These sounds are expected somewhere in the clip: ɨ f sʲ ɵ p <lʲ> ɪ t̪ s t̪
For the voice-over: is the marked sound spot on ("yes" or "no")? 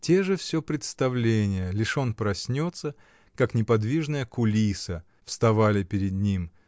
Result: no